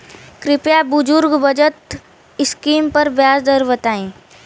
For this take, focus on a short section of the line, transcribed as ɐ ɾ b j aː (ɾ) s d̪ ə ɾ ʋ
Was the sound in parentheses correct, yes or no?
no